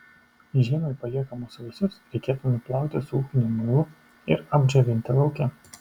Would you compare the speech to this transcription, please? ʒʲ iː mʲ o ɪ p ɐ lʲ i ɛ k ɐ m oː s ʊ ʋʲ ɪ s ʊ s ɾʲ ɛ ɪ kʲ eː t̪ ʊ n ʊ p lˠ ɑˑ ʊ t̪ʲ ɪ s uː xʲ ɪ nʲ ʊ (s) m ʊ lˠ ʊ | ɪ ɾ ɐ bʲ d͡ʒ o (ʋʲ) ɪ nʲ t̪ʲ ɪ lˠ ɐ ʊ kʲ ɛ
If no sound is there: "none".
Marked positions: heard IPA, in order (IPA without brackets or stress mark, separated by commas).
none, ʋʲ